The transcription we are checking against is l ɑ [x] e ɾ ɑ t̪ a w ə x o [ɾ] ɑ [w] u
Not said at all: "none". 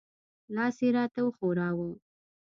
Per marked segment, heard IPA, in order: s, ɾ, w

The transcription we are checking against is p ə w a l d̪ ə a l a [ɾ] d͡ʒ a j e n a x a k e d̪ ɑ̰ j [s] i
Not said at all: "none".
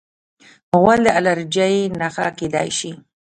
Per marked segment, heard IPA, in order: ɾ, ʃ

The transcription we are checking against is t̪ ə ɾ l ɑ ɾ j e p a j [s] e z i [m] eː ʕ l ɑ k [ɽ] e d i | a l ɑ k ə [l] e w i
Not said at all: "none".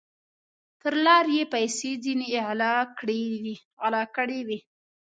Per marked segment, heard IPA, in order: s, n, ɽ, ɽ

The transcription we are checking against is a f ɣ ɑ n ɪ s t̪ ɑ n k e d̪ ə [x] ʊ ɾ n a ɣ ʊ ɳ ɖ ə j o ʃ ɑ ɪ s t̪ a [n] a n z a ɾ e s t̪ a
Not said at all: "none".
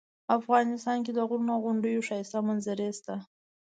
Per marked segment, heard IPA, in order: ɣ, m

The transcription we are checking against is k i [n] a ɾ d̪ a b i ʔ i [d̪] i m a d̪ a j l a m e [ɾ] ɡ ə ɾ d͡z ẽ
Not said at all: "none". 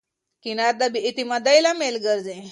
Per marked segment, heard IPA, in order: n, t̪, l

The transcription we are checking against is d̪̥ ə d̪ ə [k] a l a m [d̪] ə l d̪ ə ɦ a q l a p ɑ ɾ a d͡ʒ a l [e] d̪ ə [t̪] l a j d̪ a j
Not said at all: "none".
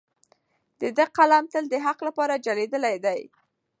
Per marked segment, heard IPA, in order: q, t̪, e, none

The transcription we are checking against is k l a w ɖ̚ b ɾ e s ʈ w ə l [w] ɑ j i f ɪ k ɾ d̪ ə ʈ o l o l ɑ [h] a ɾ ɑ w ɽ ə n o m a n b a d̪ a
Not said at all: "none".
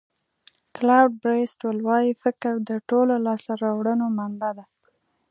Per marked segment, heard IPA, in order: w, s

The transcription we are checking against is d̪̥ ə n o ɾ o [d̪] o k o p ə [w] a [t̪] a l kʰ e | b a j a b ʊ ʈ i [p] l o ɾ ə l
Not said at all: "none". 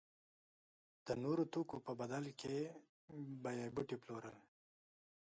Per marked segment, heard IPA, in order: t̪, b, d̪, p

